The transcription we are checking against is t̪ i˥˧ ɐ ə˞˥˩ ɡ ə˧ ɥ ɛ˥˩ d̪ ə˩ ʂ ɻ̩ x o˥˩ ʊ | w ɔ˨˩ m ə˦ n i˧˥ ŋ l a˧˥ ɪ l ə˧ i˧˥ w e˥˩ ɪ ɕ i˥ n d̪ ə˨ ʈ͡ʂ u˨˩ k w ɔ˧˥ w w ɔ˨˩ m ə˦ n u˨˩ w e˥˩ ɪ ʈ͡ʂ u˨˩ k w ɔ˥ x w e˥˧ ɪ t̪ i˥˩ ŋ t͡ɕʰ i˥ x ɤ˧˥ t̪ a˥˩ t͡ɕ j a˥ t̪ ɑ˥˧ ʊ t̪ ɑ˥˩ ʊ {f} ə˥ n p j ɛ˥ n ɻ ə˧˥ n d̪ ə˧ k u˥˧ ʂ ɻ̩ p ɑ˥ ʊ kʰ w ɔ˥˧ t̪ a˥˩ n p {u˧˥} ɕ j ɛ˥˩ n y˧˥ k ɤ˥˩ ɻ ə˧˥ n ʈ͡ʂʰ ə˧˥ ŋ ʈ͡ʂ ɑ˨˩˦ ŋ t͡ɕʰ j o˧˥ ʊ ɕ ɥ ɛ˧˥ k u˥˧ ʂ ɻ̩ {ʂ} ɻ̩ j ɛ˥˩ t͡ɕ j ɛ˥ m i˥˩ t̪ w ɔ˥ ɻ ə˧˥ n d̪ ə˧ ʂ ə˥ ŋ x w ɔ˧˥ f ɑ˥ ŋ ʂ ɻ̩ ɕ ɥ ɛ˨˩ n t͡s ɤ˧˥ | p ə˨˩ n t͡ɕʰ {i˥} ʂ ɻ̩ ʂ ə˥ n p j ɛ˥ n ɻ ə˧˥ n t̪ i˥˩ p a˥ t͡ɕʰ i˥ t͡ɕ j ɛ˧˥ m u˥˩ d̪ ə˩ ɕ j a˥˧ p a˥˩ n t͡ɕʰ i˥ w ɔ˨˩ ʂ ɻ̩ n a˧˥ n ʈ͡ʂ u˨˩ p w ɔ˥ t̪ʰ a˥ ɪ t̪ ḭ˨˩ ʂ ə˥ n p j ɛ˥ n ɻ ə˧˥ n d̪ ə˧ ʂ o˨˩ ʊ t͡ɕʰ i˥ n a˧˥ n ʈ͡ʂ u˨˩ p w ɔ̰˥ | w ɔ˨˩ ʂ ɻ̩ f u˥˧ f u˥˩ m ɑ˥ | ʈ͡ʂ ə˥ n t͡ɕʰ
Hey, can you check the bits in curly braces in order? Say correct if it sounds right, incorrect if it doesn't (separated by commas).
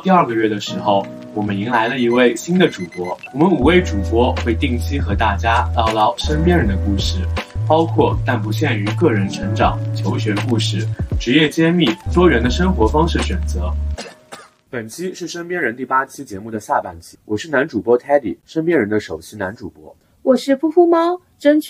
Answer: incorrect, correct, incorrect, correct